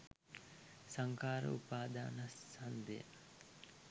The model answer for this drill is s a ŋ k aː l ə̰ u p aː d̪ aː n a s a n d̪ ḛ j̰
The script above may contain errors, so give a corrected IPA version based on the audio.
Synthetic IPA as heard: s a ŋ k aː ɾ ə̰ u p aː d̪ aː n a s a n d̪ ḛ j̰